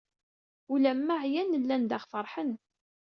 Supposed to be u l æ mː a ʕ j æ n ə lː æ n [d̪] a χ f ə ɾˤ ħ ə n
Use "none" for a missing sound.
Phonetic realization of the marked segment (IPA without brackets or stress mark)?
d̪